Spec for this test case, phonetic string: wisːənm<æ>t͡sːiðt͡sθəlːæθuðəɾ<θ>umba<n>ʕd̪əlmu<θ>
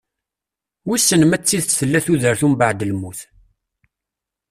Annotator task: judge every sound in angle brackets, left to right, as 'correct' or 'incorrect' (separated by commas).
correct, correct, incorrect, correct